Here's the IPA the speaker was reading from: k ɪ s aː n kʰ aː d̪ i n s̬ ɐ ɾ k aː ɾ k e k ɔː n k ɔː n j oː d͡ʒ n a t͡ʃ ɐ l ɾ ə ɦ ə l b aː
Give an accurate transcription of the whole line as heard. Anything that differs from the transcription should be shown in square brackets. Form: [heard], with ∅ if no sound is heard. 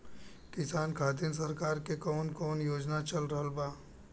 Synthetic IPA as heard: k ɪ s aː n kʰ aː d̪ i n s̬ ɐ ɾ k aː ɾ k e k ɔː n k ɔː n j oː d͡ʒ n a t͡ʃ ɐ l ɾ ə ɦ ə l b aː